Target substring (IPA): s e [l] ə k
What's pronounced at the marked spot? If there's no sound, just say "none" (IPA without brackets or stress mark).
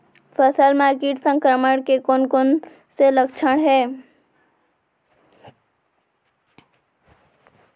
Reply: l